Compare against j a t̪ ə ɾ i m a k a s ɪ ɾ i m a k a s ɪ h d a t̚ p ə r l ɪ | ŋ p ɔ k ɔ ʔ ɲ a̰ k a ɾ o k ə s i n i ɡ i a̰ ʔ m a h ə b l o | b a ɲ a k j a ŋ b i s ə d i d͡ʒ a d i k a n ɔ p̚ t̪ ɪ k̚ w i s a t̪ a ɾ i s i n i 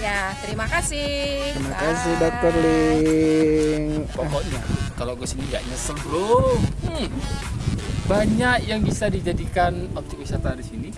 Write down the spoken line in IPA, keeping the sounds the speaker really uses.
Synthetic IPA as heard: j a t̪ ə ɾ i m a k a s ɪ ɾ i m a k a s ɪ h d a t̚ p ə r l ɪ | ŋ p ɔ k ɔ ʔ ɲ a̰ k a l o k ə s i n i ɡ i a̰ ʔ ɲ a s ə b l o | b a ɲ a k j a ŋ b i s a d i d͡ʒ a d i k a n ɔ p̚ t̪ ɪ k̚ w i s a t̪ a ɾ i s i n i

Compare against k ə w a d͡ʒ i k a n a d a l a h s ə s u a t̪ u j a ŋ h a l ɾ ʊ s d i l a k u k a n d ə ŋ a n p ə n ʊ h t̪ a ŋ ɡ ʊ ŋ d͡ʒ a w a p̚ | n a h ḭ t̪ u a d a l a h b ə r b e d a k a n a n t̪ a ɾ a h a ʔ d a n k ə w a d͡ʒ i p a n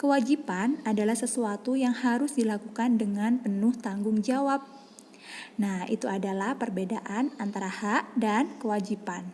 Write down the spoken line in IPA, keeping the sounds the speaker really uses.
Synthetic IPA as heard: k ə w a d͡ʒ i p a n a d a l a h s ə s u a t̪ u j a ŋ h a ɾ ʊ s d i l a k u k a n d ə ŋ a n p ə n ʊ h t̪ a ŋ ɡ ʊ ŋ d͡ʒ a w a p̚ | n a h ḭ t̪ u a d a l a h p ə r b e d a ʔ a n a n t̪ a ɾ a h a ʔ d a n k ə w a d͡ʒ i p a n

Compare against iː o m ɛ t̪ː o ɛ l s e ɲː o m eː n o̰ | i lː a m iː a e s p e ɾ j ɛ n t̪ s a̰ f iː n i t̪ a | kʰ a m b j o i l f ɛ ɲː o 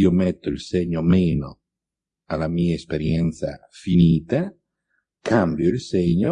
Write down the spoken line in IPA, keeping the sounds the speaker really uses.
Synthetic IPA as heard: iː o m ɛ t̪ː o i l s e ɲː o m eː n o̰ | a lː a m iː a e s p e ɾ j ɛ n t̪ s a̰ f i n iː t̪ a | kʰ a m b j o i l s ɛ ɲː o

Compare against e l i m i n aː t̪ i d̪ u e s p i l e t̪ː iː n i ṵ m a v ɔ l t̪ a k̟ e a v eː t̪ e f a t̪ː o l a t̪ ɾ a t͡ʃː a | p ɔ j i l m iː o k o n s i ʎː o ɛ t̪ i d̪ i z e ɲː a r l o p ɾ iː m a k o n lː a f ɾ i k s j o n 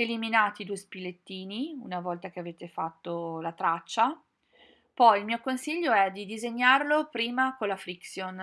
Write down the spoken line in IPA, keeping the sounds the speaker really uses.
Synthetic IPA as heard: e l i m i n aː t̪ i d̪ u e s p i l e t̪ː iː n i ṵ n a v ɔ l t̪ a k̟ e a v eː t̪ e f a t̪ː o l a t̪ ɾ a t͡ʃː a | p ɔ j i l m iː o k o n s i ʎː o ɛ d̪ i d̪ i z e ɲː a r l o p ɾ iː m a k o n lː a f ɾ i k s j o n

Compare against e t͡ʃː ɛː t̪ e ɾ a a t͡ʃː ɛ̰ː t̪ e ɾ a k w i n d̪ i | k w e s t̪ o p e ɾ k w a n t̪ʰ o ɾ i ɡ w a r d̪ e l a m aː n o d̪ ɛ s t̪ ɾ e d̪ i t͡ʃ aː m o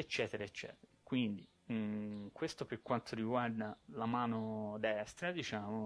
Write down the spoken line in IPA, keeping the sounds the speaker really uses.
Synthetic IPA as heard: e t͡ʃː ɛː t̪ e ɾ a e t͡ʃː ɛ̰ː t̪ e ɾ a k w i n d̪ i | k w e s t̪ o p e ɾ k w a n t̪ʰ o ɾ i ɡ w a r d̪ a l a m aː n o d̪ ɛ s t̪ ɾ a d̪ i t͡ʃ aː m o

